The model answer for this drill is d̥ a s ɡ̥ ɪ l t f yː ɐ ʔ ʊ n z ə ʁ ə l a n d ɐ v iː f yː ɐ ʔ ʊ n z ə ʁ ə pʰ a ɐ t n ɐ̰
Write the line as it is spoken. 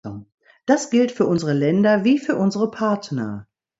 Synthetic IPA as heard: d̥ a s ɡ̥ ɪ l t f yː ɐ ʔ ʊ n z ə ʁ ə l ɛ n d ɐ v iː f yː ɐ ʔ ʊ n z ə ʁ ə pʰ a ɐ t n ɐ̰

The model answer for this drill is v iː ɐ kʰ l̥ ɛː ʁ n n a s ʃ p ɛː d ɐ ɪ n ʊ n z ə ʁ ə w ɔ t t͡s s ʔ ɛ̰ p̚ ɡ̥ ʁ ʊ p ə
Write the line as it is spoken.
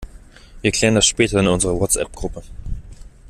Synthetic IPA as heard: v iː ɐ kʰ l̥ ɛː ʁ n d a s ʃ p ɛː t ɐ ɪ n ʊ n z ə ʁ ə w ɔ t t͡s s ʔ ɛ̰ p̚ ɡ̥ ʁ ʊ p ə

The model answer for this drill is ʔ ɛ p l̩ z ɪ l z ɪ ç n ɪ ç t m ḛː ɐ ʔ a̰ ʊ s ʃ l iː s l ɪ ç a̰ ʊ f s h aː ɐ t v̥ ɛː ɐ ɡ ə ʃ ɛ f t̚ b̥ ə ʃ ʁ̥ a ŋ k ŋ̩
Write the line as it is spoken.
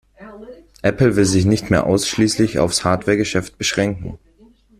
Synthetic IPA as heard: ʔ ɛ p l̩ v ɪ l z ɪ ç n ɪ ç t m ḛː ɐ ʔ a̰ ʊ s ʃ l iː s l ɪ ç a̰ ʊ f s h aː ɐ t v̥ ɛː ɐ ɡ ə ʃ ɛ f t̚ b̥ ə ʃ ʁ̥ ɛ ŋ k ŋ̩

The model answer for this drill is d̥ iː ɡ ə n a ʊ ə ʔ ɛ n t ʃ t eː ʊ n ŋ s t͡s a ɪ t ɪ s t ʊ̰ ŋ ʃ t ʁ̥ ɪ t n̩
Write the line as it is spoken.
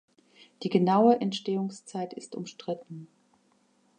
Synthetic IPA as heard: d̥ iː ɡ ə n a ʊ ə ʔ ɛ n t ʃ t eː ʊ ŋ s t͡s a ɪ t ɪ s t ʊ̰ m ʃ t ʁ̥ ɪ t n̩

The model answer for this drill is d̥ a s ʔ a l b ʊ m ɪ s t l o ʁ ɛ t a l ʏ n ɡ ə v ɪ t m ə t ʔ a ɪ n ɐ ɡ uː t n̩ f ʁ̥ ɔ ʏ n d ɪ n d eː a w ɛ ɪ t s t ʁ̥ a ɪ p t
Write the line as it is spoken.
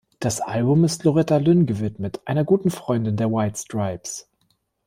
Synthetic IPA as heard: d̥ a s ʔ a l b ʊ m ɪ s t l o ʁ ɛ t a l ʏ n ɡ ə v ɪ t m ə t ʔ a ɪ n ɐ ɡ uː t n̩ f ʁ̥ ɔ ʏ n d ɪ n d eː ɐ w a ɪ t s t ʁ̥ a ɪ p s

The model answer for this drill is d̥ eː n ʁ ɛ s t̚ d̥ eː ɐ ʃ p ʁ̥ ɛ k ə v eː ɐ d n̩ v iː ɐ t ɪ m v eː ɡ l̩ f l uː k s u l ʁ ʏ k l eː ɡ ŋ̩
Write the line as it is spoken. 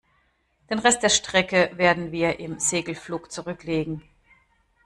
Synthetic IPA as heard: d̥ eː n ʁ ɛ s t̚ d̥ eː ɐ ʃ t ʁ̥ ɛ k ə v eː ɐ d n̩ v iː ɐ ʔ ɪ m z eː ɡ l̩ f l uː k t͡s u ʁ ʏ k l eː ɡ ŋ̩

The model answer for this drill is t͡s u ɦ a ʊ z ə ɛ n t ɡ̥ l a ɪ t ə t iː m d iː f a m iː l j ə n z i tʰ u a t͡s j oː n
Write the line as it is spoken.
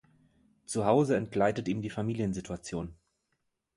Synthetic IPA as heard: t͡s u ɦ a ʊ z ə ɛ n t ɡ̥ l a ɪ t ə t iː m d iː f a m iː l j ə n z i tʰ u a t͡s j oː n

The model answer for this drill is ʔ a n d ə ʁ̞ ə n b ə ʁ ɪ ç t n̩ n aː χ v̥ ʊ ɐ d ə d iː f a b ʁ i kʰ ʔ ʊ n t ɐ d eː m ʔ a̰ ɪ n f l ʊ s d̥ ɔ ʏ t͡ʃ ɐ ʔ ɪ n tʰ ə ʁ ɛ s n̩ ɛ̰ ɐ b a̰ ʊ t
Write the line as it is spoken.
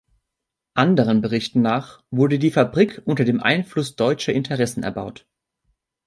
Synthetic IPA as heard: ʔ a n d ə ʁ̞ ə n b ə ʁ ɪ ç t n̩ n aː χ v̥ ʊ ɐ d ə d iː f a b ʁ i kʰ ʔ ʊ n t ɐ d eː m ʔ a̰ ɪ n f l ʊ s d̥ ɔ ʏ t͡ʃ ɐ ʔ ɪ n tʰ ə ʁ ɛ s n̩ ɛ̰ ɐ b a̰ ʊ t

